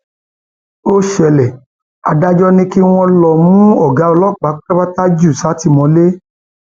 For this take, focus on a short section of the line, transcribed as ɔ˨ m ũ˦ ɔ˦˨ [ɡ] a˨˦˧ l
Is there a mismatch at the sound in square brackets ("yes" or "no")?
no